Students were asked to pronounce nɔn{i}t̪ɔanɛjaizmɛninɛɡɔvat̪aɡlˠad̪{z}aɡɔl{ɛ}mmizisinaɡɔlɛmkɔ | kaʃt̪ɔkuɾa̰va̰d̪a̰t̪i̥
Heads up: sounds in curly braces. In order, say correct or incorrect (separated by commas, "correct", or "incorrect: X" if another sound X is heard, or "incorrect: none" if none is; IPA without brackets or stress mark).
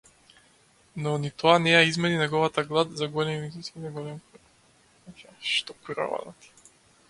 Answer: correct, correct, correct